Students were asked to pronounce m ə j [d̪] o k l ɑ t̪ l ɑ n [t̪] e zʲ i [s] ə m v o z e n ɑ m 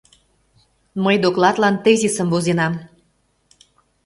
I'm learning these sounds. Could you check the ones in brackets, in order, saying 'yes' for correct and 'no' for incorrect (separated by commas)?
yes, yes, yes